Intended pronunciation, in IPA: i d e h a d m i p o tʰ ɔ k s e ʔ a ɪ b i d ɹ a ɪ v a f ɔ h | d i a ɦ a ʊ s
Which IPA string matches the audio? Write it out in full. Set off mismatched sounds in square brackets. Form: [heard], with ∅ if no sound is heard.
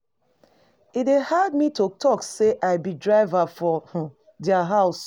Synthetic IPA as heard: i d e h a d m i [t] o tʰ ɔ k s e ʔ a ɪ b i d ɹ a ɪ v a f ɔ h | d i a ɦ a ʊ s